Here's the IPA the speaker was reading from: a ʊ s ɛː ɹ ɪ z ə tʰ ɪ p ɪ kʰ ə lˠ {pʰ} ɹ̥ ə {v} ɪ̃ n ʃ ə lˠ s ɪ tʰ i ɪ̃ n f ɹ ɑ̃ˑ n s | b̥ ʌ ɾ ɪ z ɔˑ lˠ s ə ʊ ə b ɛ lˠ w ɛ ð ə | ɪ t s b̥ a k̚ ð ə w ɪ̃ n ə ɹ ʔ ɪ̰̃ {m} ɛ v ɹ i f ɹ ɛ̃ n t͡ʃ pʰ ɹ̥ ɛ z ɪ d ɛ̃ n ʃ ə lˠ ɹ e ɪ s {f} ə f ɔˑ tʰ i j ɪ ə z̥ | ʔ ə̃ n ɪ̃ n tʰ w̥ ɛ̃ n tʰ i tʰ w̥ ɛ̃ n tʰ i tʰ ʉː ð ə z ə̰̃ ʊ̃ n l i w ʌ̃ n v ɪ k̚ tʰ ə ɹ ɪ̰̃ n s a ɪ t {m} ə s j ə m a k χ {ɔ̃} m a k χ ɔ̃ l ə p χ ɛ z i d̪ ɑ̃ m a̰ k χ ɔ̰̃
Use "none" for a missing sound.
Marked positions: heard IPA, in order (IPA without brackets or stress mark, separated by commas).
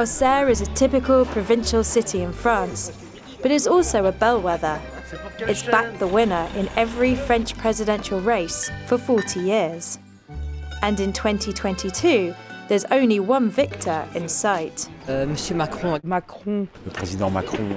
pʰ, v, n, f, m, ɔ̃